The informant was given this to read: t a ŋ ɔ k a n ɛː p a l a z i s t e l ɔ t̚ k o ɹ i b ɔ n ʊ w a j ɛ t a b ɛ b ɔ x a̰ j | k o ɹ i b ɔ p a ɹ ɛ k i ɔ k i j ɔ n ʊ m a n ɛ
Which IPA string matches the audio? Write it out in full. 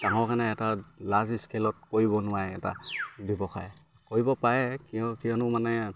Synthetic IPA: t a ŋ ɔ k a n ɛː t a l a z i s k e l ɔ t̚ k o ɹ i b ɔ n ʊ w a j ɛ t a b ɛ b ɔ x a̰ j | k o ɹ i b ɔ p a ɹ ɛ k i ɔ k i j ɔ n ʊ m a n ɛ